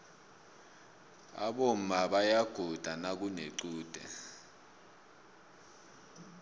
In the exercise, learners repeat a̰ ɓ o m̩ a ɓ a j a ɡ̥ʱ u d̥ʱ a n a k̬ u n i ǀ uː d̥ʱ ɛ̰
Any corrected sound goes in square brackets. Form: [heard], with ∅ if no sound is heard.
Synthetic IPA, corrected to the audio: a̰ ɓ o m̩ a ɓ a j a ɡ̥ʱ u d̥ʱ a n a k̬ u n [e] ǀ uː d̥ʱ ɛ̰